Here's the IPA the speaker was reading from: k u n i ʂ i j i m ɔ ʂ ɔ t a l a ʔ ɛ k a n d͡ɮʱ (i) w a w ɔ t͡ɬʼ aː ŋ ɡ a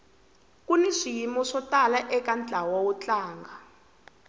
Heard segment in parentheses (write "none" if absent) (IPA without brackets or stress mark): a